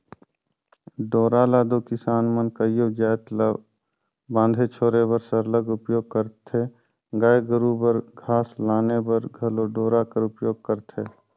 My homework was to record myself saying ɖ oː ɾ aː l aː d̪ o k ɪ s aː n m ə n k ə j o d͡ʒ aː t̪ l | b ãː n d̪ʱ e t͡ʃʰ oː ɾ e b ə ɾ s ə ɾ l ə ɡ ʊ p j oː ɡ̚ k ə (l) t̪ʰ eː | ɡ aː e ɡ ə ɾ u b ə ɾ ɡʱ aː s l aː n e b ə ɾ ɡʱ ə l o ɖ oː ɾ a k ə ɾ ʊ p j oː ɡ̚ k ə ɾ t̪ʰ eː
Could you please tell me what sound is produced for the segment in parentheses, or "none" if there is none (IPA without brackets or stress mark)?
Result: ɾ